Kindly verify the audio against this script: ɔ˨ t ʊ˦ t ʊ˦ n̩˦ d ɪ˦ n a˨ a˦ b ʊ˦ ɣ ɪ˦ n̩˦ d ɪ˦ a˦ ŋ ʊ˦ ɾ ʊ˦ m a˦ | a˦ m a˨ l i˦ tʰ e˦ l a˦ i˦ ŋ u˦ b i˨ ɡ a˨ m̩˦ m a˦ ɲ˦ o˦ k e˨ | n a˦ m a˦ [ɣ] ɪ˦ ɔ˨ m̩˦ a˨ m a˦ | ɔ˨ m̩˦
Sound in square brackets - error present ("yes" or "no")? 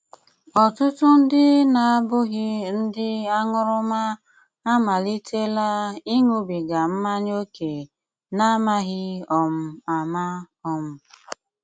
no